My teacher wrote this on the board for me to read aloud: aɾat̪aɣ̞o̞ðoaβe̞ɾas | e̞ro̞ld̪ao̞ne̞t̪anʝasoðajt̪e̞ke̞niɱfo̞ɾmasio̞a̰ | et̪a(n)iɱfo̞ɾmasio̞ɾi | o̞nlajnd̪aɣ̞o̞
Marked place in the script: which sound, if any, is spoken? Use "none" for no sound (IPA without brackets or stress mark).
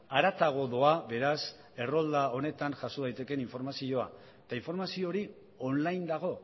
none